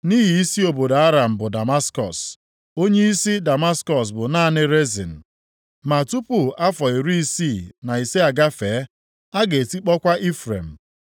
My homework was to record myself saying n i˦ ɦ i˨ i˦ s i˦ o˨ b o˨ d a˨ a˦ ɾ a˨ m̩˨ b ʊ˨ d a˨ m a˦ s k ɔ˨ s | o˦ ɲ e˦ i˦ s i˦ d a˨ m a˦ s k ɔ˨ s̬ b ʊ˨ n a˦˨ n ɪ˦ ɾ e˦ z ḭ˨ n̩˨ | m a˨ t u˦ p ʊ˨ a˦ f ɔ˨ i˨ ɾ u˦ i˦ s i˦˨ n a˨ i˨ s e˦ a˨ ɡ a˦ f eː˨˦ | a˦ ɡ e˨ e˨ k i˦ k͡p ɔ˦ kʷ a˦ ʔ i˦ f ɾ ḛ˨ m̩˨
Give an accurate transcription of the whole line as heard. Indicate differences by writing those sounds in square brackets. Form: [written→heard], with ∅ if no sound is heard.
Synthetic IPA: n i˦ ɦ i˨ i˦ s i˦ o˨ b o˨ d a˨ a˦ ɾ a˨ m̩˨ b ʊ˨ d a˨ m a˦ s k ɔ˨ s | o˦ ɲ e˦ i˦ s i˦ d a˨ m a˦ s k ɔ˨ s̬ b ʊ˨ n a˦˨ n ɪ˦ ɾ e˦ z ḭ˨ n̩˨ | m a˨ t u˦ p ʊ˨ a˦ f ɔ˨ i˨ ɾ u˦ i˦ s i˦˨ n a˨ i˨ s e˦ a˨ ɡ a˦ f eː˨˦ | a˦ ɡ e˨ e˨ [k→t] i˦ k͡p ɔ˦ kʷ a˦ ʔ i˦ f ɾ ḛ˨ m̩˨